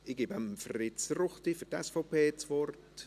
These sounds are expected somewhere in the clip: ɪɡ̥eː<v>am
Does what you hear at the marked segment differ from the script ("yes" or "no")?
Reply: yes